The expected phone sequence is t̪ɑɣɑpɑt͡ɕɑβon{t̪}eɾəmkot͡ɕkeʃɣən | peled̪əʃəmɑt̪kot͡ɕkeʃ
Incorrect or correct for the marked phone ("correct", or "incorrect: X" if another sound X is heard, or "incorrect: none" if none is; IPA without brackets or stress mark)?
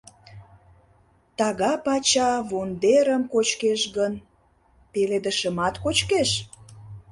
incorrect: d̪